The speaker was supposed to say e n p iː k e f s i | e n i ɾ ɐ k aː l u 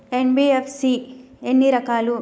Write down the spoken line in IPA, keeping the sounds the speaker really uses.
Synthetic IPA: e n b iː e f s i | e nː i ɾ ɐ k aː l u